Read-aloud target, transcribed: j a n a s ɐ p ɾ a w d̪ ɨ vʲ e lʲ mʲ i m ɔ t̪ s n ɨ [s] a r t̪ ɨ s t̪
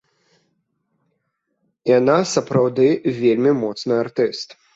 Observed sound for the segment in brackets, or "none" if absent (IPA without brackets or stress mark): none